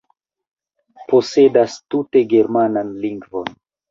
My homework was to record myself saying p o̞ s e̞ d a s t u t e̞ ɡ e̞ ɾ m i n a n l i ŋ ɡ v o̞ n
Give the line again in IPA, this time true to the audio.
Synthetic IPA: p o̞ s e̞ d a s t u t e̞ ɡ e̞ ɾ m a n a n l i ŋ ɡ v o̞ n